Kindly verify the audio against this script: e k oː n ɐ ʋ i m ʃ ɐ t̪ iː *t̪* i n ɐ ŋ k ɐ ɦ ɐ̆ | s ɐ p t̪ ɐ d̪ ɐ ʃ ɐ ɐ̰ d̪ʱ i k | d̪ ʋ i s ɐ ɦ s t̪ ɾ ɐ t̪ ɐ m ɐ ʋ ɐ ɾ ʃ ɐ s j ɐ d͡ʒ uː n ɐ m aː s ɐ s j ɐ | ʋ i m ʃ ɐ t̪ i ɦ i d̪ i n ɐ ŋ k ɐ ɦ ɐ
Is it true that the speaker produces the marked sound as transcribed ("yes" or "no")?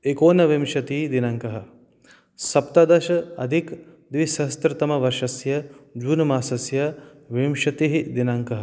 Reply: no